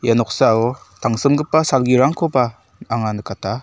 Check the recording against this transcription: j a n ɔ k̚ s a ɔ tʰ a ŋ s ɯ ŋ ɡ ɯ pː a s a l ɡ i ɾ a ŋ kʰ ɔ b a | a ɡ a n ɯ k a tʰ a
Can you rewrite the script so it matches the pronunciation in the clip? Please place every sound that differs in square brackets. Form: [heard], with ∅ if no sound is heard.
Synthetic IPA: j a n ɔ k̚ s a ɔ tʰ a ŋ s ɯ [m] ɡ ɯ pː a s a l ɡ i ɾ a ŋ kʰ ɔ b a | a [ŋ] a n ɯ k a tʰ a